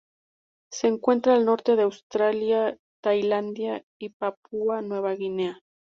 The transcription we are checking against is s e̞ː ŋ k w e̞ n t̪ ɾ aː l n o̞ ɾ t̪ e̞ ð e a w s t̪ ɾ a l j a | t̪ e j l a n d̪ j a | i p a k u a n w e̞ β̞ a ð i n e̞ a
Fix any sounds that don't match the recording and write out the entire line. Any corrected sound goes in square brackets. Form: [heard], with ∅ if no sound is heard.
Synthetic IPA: s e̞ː ŋ k w e̞ n t̪ ɾ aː l n o̞ ɾ t̪ e̞ ð e a w s t̪ ɾ a l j a | t̪ [a] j l a n d̪ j a | i p a [p] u a n w e̞ β̞ a [ɣ] i n e̞ a